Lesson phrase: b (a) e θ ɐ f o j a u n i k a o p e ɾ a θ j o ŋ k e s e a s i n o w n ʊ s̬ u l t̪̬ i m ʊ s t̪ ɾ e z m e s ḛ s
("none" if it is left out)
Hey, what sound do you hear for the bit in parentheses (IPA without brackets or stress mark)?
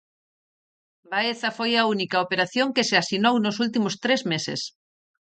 a